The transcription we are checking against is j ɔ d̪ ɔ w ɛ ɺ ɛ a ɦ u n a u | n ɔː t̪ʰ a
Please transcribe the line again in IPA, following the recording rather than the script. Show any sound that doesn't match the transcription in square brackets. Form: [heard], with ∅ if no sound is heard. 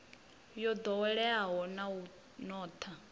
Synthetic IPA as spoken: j ɔ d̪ ɔ w ɛ ɺ ɛ a ɦ [ɔ] n a u | n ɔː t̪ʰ a